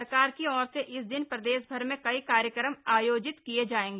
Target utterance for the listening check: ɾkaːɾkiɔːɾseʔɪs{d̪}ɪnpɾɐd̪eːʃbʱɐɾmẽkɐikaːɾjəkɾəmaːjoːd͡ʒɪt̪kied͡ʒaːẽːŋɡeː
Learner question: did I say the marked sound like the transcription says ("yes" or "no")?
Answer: yes